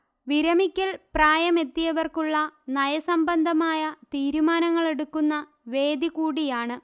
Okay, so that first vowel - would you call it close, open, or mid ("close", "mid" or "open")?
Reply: close